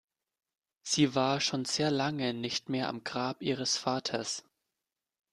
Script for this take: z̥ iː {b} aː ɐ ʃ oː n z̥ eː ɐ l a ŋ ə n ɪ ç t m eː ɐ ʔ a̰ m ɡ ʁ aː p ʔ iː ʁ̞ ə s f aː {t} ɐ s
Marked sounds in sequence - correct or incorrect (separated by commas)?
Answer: incorrect, incorrect